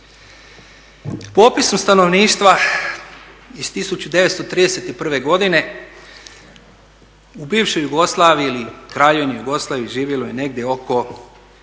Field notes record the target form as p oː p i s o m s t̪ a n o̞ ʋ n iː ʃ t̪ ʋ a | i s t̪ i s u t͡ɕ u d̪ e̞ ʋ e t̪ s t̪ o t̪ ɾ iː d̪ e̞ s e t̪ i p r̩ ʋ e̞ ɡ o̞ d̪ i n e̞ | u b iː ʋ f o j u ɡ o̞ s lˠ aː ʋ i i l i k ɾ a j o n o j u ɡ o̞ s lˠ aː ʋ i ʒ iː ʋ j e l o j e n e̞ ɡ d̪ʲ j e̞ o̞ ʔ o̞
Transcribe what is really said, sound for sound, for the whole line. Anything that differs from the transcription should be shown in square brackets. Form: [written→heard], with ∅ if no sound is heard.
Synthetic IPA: p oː p i s o m s t̪ a n o̞ ʋ n iː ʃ t̪ ʋ a | i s t̪ i s u t͡ɕ u d̪ e̞ ʋ e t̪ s t̪ o t̪ ɾ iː d̪ e̞ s e t̪ i p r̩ ʋ e̞ ɡ o̞ d̪ i n e̞ | u b iː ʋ [f→ʃ] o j u ɡ o̞ s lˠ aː ʋ i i l i k ɾ a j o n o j u ɡ o̞ s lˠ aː ʋ i ʒ iː ʋ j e l o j e n e̞ ɡ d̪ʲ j e̞ o̞ [ʔ→k] o̞